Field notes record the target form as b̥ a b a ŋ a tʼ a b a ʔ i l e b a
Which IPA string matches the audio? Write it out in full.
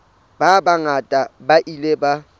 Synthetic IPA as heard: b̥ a b a ŋ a tʼ a b a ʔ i l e b a